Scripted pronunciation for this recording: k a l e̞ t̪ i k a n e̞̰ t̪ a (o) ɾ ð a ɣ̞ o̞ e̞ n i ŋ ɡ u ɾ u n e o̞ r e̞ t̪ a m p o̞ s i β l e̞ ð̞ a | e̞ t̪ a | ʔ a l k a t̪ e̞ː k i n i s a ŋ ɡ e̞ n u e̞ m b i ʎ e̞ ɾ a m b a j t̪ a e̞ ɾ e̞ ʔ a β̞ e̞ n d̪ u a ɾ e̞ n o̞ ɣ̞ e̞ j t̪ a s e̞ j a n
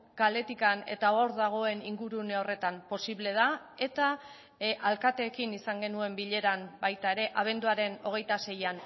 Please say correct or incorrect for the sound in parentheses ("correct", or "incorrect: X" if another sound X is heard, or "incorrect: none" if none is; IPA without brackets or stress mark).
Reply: correct